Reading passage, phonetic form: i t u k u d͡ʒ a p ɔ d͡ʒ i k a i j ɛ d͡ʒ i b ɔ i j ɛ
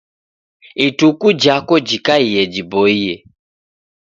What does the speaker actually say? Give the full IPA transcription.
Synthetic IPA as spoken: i t u k u d͡ʒ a k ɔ d͡ʒ i k a i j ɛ d͡ʒ i b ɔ i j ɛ